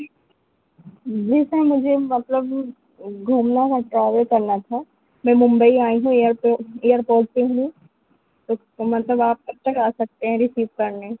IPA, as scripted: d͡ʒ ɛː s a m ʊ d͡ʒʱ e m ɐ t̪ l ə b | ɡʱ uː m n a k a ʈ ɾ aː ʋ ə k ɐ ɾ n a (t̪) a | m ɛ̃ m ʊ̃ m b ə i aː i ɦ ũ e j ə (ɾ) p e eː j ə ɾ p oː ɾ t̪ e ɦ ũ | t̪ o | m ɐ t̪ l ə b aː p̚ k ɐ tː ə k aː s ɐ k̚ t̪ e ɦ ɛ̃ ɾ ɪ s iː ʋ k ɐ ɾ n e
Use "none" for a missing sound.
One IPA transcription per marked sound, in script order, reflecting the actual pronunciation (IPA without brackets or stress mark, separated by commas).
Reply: t̪ʰ, ɾ